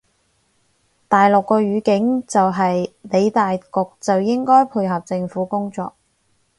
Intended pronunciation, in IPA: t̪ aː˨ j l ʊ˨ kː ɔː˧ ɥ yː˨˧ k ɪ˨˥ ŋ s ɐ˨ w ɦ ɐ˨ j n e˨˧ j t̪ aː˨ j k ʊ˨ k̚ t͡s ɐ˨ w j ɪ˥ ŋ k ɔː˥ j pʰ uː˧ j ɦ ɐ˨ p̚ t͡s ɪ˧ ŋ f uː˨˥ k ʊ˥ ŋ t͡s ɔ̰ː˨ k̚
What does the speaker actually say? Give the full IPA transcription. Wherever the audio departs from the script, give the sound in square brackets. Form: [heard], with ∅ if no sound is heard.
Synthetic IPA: t̪ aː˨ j l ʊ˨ kː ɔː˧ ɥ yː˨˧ k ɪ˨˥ ŋ [t͡s] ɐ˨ w ɦ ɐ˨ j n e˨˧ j t̪ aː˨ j k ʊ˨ k̚ t͡s ɐ˨ w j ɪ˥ ŋ k ɔː˥ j pʰ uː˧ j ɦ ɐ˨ p̚ t͡s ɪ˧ ŋ f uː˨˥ k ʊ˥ ŋ t͡s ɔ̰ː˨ k̚